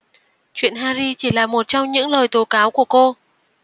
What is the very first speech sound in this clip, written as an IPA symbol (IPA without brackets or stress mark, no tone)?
t͡ɕ